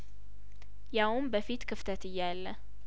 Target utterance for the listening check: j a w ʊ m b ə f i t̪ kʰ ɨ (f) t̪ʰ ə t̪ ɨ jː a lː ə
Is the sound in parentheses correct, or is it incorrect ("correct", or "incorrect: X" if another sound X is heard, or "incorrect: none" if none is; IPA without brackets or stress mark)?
correct